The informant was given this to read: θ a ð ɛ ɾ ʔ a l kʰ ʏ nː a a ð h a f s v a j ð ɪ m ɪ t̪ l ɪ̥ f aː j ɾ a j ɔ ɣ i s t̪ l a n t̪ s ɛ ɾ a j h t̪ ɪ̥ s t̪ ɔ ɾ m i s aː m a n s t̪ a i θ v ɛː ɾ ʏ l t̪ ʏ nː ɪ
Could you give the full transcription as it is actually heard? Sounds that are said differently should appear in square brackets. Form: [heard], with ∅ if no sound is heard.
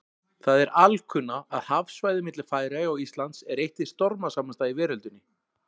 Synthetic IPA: θ a ð ɛ ɾ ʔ a l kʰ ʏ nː a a ð h a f s v a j ð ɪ m ɪ t̪ l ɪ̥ f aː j ɾ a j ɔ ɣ i s t̪ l a n t̪ s ɛ ɾ [e] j h t̪ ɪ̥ s t̪ ɔ ɾ m [a] s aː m a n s t̪ a i [∅] v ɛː ɾ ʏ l t̪ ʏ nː ɪ